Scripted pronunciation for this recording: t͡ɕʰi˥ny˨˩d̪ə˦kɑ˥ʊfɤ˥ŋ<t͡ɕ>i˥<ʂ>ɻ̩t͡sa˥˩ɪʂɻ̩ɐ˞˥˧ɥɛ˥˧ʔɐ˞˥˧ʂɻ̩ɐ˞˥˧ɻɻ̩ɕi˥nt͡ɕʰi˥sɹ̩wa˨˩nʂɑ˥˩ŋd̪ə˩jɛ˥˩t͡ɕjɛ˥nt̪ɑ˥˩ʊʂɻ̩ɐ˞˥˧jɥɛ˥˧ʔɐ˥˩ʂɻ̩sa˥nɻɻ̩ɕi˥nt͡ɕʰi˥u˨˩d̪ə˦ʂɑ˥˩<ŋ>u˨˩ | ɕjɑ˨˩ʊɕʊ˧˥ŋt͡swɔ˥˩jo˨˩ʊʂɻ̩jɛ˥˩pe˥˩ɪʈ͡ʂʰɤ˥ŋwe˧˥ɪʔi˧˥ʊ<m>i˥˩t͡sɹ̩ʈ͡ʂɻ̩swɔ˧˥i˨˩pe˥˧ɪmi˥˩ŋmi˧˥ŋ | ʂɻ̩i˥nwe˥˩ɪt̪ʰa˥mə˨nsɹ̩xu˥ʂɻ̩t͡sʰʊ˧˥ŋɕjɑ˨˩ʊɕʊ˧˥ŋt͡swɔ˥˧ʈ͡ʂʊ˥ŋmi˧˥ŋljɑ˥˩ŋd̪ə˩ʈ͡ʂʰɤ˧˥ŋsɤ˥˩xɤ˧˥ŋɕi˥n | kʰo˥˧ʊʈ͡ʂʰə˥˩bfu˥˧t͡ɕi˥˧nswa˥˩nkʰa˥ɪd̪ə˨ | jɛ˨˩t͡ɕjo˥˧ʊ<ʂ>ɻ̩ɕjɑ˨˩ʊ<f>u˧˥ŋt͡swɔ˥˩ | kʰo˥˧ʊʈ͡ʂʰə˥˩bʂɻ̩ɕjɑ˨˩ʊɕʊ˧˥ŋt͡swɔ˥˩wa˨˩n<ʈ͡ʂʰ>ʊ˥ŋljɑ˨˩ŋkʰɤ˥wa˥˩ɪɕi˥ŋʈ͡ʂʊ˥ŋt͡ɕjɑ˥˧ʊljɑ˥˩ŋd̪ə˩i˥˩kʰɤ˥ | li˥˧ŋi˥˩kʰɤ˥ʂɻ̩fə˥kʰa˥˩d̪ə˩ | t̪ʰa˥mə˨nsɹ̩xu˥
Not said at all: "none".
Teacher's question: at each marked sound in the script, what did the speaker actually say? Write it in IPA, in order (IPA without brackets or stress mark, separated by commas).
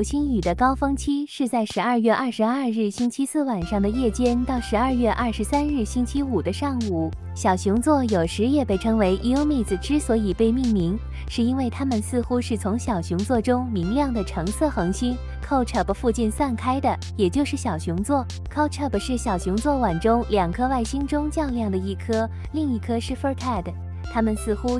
t͡ɕʰ, ʂ, ŋ, m, ʂ, ɕ, ʈ͡ʂ